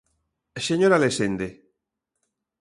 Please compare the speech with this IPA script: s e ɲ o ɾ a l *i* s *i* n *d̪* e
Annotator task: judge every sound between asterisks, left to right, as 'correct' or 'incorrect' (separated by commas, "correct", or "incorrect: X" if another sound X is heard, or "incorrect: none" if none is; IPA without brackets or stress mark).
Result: incorrect: e, incorrect: e, correct